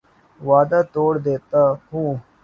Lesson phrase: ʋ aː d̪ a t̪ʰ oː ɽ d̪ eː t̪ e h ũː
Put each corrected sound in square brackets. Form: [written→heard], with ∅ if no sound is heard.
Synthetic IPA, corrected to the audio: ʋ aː d̪ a [t̪ʰ→t̪] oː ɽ d̪ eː t̪ [e→a] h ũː

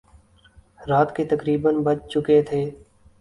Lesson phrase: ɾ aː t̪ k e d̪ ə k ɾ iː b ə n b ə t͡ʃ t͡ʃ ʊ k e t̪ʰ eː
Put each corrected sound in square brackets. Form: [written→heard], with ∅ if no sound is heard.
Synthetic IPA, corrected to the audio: ɾ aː t̪ k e [d̪→t̪] ə k ɾ iː b ə n b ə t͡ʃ t͡ʃ ʊ k e t̪ʰ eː

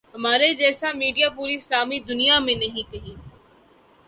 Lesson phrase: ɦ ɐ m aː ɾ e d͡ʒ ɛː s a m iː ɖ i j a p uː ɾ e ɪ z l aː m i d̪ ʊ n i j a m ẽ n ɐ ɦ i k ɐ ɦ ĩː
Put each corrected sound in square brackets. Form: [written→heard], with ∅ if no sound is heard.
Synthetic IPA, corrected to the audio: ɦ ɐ m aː ɾ e d͡ʒ ɛː s a m iː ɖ i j a p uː ɾ [e→i] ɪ [z→s] l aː m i d̪ ʊ n i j a m ẽ n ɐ ɦ [i→ĩ] k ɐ ɦ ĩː

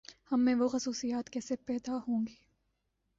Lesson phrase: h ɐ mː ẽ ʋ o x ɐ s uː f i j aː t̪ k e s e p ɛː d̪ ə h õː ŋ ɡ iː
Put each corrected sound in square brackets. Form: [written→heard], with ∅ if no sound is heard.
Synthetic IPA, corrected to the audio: h ɐ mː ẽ ʋ o x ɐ s uː [f→s] i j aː t̪ k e s e p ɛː d̪ [ə→a] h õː ŋ ɡ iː

